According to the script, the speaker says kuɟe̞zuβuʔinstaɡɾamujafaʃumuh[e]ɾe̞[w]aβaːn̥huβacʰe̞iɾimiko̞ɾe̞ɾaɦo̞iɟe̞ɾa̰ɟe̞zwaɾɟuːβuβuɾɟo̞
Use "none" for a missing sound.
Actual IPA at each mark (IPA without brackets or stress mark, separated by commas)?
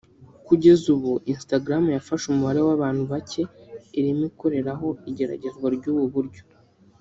a, w